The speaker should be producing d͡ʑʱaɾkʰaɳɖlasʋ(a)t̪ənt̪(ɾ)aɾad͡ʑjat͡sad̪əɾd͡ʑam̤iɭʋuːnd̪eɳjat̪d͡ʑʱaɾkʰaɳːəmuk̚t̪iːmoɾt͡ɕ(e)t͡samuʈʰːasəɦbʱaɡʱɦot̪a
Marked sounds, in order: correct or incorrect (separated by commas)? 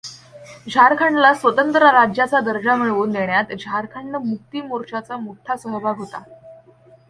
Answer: incorrect, correct, incorrect